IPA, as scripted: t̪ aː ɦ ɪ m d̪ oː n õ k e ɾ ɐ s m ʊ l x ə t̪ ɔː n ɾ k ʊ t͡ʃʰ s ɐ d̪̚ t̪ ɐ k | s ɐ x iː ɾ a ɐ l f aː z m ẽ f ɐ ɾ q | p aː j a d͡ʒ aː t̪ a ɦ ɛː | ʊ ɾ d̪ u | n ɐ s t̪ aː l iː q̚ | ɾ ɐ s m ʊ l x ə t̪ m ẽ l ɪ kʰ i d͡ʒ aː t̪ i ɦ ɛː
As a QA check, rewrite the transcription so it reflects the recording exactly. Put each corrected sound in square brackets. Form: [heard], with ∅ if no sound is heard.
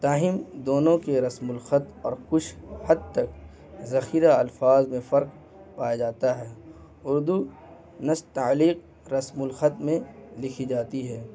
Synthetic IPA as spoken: t̪ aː ɦ ɪ m d̪ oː n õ k e ɾ ɐ s m ʊ l x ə t̪ ɔː [∅] ɾ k ʊ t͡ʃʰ [h] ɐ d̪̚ t̪ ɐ k | [z] ɐ x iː ɾ a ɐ l f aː z m ẽ f ɐ ɾ q | p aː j a d͡ʒ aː t̪ a ɦ ɛː | ʊ ɾ d̪ u | n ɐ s t̪ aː l iː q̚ | ɾ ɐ s m ʊ l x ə t̪ m ẽ l ɪ kʰ i d͡ʒ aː t̪ i ɦ ɛː